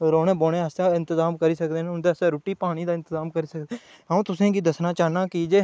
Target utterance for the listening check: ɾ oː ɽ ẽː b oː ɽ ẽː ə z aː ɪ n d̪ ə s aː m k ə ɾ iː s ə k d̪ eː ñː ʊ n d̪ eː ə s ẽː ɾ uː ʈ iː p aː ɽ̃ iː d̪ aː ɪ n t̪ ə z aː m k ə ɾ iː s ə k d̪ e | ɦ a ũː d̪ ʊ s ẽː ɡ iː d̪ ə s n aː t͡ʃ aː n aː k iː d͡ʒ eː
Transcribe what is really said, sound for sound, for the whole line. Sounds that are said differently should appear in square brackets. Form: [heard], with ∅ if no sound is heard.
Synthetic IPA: ɾ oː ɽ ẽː b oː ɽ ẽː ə [s] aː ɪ n [t̪] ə [z] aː m k ə ɾ iː s ə k d̪ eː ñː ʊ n d̪ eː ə s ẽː ɾ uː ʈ iː p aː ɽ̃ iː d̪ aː ɪ n t̪ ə z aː m k ə ɾ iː s ə k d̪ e | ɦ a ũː [t̪] ʊ s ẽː ɡ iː d̪ ə s n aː t͡ʃ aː n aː k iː d͡ʒ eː